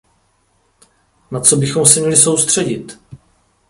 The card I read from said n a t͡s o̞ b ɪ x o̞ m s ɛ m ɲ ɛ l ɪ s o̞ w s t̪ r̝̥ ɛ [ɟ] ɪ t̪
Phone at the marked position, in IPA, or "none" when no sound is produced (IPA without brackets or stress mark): ɟ